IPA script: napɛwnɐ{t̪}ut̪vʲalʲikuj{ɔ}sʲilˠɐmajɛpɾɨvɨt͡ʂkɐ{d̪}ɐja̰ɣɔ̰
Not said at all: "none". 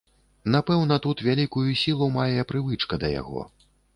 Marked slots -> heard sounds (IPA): t̪, u, d̪

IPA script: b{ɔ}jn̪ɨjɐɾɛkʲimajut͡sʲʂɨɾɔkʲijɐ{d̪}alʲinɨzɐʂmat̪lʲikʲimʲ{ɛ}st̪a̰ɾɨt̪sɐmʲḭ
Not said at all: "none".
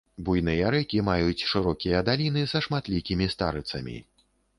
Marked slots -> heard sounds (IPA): u, d̪, i

